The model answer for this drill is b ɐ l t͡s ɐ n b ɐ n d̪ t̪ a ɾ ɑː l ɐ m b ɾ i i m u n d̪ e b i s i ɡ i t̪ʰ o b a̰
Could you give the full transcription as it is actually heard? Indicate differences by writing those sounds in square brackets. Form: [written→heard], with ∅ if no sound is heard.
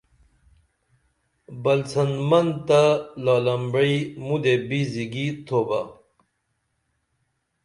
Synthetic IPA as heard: b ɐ l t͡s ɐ n [b→m] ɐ n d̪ t̪ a [ɾ→l] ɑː l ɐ m b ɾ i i m u [n→∅] d̪ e b i [s→z] i ɡ i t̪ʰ o b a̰